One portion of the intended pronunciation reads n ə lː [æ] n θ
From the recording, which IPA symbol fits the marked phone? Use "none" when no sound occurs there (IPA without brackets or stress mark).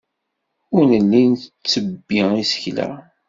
i